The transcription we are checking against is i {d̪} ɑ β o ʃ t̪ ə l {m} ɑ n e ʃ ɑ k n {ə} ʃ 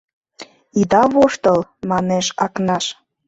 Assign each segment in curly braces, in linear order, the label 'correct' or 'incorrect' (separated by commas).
correct, correct, incorrect